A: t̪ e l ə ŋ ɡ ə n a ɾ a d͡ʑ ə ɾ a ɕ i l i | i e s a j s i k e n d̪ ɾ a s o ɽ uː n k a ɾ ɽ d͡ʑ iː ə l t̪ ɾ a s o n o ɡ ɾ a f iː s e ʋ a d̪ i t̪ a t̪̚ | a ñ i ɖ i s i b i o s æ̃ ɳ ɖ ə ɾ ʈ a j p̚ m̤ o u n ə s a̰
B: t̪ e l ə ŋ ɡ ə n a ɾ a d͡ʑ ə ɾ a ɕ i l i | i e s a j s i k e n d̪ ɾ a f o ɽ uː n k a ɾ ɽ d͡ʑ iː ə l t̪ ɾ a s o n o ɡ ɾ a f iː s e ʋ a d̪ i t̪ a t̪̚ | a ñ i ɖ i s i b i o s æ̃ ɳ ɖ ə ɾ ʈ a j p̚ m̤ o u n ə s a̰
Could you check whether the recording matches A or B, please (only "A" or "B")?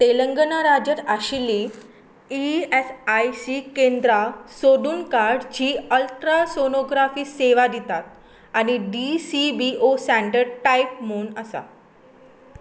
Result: A